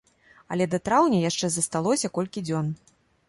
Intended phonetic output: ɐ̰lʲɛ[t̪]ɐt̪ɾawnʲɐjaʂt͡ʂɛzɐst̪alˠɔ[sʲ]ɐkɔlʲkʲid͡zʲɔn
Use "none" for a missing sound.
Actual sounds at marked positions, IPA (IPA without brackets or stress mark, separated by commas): d̪, sʲ